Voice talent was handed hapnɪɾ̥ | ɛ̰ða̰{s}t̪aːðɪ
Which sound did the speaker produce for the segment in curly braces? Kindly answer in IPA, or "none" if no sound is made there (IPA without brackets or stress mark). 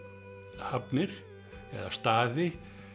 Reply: s